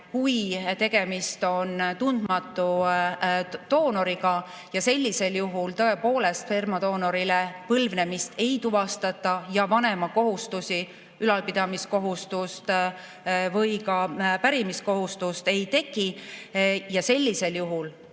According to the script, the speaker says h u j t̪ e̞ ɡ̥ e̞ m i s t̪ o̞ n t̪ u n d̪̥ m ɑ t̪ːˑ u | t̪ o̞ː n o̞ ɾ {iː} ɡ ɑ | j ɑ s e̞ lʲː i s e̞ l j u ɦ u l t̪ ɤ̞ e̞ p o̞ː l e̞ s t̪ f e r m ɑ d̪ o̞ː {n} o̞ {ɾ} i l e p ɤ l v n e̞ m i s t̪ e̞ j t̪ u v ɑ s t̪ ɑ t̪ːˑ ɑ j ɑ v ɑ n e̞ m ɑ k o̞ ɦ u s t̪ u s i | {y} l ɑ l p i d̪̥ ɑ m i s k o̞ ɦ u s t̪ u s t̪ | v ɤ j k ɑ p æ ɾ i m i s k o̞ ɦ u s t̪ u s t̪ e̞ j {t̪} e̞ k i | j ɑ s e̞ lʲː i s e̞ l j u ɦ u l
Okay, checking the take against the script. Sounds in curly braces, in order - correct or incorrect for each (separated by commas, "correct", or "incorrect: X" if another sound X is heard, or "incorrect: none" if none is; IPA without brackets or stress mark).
incorrect: i, correct, correct, correct, correct